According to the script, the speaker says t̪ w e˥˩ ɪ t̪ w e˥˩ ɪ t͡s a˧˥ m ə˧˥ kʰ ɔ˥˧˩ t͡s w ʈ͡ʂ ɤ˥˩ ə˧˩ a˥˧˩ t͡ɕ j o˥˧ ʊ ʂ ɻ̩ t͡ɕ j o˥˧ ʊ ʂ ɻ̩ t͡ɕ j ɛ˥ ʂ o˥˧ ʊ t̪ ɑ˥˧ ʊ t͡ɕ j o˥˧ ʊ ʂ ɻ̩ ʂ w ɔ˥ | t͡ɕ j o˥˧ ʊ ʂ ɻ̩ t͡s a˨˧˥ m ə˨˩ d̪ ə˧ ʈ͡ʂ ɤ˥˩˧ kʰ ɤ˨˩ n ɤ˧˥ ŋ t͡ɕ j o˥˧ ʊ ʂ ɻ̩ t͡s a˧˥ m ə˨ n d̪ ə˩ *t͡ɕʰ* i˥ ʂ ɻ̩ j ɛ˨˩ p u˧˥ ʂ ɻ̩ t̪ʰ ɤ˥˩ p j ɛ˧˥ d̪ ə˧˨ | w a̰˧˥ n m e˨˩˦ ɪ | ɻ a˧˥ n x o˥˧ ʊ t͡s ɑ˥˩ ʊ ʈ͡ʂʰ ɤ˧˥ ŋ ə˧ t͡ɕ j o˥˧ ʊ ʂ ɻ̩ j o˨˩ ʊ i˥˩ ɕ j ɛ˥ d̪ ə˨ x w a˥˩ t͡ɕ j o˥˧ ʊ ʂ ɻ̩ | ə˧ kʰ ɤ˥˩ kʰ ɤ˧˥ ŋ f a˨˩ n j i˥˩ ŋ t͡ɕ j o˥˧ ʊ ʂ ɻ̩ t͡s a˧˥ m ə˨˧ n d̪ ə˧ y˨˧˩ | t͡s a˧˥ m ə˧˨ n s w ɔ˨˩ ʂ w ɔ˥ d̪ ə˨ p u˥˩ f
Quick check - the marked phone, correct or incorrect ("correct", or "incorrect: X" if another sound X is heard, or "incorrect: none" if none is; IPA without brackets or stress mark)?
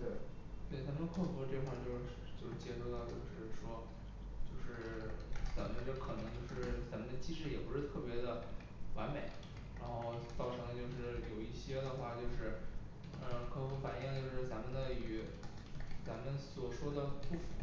incorrect: t͡ɕ